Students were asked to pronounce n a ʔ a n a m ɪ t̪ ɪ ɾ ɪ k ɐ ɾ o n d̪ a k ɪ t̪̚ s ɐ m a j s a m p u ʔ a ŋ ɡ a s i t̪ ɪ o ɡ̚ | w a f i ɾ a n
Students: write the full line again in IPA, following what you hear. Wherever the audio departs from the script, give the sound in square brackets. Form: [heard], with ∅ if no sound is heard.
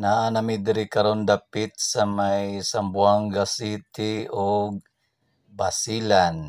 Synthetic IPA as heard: n a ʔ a n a m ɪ [d̪] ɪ ɾ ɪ k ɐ ɾ o n d̪ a [p] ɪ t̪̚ s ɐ m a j s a m [b] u [∅] a ŋ ɡ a s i t̪ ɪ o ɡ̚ | [b] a [s] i [l] a n